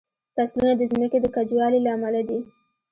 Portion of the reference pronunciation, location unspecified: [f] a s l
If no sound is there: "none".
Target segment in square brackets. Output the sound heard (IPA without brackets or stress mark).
f